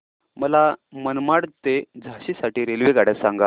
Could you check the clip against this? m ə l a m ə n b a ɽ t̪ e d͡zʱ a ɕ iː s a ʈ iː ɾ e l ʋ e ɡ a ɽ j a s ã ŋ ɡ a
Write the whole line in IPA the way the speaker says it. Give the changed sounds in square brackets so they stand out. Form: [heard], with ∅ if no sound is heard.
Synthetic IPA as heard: m ə l a m ə n [m] a ɽ t̪ e d͡zʱ a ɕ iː s a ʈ iː ɾ e l ʋ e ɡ a ɽ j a s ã ŋ ɡ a